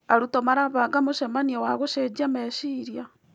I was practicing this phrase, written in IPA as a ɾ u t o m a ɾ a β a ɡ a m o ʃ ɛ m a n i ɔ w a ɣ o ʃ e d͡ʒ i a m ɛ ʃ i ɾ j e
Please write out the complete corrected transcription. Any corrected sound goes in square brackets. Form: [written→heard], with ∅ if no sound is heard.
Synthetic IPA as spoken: a ɾ u t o m a ɾ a β a ɡ a m o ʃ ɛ m a n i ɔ w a ɣ o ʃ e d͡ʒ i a m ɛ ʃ i ɾ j [e→a]